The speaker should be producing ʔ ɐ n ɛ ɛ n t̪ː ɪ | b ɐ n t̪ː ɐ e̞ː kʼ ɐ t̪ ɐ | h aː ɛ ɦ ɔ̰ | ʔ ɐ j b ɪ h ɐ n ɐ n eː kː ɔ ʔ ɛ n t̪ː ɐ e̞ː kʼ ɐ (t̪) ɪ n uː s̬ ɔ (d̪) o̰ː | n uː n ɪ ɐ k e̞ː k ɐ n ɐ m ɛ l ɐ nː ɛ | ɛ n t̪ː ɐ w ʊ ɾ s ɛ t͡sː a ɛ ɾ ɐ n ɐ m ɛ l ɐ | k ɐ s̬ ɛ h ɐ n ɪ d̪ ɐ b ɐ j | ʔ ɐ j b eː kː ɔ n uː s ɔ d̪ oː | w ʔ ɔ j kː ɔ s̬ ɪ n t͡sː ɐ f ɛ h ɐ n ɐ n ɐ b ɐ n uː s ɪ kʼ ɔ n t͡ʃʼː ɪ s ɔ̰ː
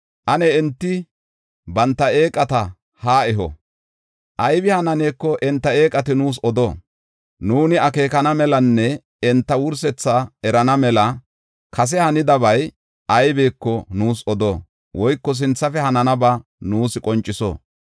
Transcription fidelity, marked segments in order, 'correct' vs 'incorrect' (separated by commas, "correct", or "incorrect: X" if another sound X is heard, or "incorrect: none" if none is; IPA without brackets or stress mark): correct, correct